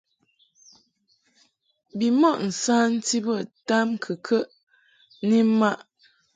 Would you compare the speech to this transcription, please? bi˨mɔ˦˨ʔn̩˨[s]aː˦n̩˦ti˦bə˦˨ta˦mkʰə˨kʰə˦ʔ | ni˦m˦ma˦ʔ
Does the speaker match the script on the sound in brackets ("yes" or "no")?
yes